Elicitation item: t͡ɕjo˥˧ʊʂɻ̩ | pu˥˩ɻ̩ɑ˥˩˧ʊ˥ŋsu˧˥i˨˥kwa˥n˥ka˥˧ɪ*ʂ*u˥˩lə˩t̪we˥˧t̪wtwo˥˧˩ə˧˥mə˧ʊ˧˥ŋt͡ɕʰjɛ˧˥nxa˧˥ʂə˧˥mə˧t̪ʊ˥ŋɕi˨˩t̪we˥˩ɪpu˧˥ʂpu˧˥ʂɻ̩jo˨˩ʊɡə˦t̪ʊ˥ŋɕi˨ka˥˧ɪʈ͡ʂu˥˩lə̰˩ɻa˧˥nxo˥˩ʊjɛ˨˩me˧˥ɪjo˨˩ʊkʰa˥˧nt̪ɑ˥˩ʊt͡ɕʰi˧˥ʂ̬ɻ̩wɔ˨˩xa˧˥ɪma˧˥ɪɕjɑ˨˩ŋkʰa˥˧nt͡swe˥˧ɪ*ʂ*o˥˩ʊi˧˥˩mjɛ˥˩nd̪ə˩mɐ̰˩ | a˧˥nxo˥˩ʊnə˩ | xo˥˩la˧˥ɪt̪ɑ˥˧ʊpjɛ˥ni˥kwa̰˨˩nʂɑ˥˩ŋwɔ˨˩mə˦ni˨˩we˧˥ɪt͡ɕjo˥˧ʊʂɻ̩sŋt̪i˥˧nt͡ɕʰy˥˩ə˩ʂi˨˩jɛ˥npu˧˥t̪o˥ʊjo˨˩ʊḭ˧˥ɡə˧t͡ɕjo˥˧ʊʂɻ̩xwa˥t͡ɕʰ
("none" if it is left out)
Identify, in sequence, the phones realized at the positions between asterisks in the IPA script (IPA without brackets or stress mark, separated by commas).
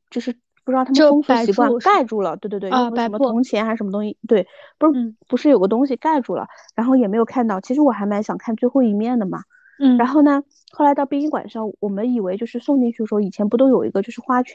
ʈ͡ʂ, x